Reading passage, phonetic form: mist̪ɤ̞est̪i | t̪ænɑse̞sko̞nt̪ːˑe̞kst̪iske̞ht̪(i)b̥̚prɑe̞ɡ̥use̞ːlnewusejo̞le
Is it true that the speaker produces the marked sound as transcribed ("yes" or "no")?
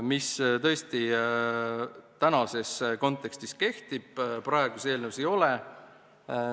yes